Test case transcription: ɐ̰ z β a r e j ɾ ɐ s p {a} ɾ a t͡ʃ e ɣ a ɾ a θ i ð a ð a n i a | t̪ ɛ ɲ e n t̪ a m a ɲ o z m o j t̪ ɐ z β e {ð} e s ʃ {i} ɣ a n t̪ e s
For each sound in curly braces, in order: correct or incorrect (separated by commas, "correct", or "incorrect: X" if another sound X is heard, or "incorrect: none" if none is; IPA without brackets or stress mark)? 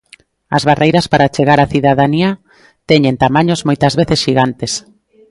correct, incorrect: θ, correct